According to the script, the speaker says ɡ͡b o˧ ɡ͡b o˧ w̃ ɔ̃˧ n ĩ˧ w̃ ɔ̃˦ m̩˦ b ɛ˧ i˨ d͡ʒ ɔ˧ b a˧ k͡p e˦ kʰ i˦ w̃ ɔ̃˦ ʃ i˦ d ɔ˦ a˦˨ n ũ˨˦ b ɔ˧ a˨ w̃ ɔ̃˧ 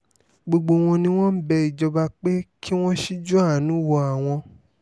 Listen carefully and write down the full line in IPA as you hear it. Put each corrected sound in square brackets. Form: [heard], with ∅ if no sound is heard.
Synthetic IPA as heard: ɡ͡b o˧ ɡ͡b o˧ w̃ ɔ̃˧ n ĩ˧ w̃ ɔ̃˦ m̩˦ b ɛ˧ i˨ d͡ʒ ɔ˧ b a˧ k͡p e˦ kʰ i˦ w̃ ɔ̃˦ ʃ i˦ [d͡ʒ] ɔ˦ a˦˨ n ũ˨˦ [w] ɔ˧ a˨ w̃ ɔ̃˧